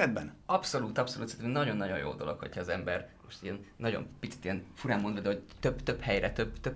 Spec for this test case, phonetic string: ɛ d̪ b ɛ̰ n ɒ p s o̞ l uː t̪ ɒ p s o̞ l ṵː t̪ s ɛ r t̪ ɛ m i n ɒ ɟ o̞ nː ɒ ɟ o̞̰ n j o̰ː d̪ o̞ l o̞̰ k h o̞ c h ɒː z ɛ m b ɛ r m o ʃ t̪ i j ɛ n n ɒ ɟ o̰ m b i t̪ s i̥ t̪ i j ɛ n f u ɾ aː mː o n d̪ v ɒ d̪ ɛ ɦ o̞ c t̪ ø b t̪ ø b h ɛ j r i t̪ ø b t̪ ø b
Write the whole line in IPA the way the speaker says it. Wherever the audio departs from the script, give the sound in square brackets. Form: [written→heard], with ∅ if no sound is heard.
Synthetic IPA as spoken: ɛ d̪ b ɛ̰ n ɒ p s o̞ l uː t̪ ɒ p s o̞ l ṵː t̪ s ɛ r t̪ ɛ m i n ɒ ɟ o̞ nː ɒ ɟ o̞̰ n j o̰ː d̪ o̞ l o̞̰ k h o̞ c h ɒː z ɛ m b ɛ r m o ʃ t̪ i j ɛ n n ɒ ɟ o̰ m [b→p] i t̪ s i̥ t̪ i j ɛ n f u ɾ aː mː o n d̪ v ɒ d̪ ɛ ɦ o̞ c t̪ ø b t̪ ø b h ɛ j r [i→ɛ] t̪ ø b t̪ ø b